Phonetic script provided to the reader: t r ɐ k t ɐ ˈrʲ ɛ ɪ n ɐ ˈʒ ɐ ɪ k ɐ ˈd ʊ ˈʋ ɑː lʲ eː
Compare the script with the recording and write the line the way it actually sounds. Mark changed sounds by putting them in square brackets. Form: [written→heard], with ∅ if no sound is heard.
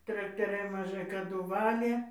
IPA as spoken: t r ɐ k t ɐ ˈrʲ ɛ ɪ [n→m] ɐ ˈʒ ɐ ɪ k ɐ ˈd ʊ ˈʋ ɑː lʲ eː